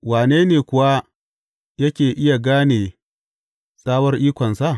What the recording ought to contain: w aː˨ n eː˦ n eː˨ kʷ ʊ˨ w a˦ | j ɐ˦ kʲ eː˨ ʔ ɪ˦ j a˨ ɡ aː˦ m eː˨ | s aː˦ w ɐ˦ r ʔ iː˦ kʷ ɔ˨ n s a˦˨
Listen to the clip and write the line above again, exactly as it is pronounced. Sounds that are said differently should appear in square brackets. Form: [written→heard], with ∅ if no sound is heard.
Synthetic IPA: w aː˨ n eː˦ n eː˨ kʷ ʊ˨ w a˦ | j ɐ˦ kʲ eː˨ ʔ ɪ˦ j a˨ ɡ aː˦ [m→n] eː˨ | s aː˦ w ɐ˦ r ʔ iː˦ kʷ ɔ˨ n s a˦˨

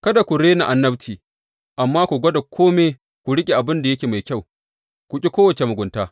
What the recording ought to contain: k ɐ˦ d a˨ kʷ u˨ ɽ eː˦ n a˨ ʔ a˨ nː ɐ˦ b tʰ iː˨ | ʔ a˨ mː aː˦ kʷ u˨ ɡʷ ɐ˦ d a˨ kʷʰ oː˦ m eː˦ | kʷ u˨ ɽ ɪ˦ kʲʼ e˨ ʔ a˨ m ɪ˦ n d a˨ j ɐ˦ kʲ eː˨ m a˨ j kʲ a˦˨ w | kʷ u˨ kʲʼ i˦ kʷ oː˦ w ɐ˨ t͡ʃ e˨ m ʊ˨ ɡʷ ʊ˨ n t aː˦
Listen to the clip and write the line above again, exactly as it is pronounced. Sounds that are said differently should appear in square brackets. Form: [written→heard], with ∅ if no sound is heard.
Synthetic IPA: k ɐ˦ d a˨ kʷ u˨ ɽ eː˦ n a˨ ʔ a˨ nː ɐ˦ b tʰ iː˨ | ʔ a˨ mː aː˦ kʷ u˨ ɡʷ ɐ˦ d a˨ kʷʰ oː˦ m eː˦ | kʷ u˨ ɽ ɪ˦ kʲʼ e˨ ʔ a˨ [m→b] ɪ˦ n d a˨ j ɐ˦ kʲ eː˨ m a˨ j kʲ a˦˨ w | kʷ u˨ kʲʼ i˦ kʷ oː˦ w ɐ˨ t͡ʃ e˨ m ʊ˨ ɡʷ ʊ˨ n t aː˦

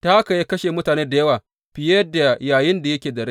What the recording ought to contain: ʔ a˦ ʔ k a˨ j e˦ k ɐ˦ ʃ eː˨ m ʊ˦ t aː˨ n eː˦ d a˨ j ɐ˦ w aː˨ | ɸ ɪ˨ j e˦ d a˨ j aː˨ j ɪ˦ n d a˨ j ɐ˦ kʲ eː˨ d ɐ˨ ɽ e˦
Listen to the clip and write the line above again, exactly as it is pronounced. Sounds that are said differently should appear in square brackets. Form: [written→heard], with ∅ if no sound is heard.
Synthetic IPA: [ʔ→t] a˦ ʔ k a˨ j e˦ k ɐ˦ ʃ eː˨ m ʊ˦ t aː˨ n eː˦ d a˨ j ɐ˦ w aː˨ | ɸ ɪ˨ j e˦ d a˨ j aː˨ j ɪ˦ n d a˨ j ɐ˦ kʲ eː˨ d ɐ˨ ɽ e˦

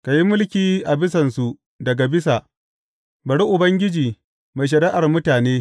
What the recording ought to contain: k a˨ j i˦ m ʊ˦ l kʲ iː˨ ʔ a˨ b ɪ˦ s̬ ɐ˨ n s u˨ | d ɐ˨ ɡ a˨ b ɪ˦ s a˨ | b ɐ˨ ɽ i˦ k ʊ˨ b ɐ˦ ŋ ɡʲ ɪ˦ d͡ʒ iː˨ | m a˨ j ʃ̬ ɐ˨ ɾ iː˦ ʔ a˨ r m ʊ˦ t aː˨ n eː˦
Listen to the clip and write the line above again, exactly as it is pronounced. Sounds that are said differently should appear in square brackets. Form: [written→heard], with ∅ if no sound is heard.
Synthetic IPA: k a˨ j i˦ m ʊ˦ l kʲ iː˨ ʔ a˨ b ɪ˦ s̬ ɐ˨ n s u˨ | d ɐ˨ ɡ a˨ b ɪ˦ s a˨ | b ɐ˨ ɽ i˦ [k→ʔ] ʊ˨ b ɐ˦ ŋ ɡʲ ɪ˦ d͡ʒ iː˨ | m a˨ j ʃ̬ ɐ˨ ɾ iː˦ ʔ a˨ r m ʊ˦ t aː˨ n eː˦

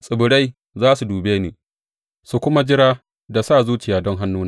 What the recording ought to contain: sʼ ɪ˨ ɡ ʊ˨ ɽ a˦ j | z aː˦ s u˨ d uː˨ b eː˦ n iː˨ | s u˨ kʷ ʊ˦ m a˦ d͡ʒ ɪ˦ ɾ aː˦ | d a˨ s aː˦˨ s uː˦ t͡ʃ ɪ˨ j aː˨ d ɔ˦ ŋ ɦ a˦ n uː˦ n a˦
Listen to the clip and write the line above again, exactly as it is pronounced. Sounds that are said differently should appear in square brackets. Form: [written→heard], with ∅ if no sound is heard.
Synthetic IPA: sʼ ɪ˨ [ɡ→b] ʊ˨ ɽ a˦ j | z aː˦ s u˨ d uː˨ b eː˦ n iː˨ | s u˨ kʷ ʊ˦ m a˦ d͡ʒ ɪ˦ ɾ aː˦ | d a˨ s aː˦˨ [s→z] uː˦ t͡ʃ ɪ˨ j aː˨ d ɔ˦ ŋ ɦ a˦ [n→nː] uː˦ n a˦

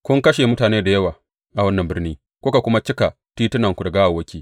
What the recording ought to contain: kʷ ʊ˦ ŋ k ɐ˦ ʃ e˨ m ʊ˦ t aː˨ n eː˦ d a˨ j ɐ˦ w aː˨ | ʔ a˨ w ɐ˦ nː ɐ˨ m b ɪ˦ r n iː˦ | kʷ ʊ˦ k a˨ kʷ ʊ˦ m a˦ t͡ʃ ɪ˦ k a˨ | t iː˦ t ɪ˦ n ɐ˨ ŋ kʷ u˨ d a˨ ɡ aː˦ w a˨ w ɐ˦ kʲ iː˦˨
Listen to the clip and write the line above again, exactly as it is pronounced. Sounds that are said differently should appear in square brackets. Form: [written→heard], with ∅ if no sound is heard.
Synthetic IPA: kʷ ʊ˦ ŋ k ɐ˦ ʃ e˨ m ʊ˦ t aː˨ n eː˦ d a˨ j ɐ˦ w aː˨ | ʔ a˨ w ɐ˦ nː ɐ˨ m b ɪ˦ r n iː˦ | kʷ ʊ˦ k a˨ kʷ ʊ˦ m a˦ t͡ʃ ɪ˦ k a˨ | t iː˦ t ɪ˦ n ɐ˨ ŋ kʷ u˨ d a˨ ɡ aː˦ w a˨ w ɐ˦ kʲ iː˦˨

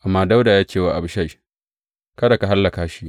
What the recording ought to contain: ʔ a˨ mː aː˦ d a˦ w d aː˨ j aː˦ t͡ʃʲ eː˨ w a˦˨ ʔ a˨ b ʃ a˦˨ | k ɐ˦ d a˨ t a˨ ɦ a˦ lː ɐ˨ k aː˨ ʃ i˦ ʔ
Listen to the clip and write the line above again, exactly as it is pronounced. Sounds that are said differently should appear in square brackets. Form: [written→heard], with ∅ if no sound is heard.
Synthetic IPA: ʔ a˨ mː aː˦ d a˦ w d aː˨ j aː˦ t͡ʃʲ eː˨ w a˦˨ ʔ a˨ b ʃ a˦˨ | k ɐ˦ d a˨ [t→k] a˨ ɦ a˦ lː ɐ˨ k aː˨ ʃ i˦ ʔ

